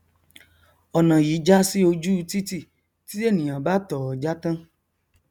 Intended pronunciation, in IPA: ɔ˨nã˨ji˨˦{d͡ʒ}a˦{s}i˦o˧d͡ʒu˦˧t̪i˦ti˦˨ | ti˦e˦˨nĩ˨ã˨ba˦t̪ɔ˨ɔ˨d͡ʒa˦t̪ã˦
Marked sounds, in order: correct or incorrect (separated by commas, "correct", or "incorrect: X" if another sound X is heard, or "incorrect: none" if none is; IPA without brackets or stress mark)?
correct, correct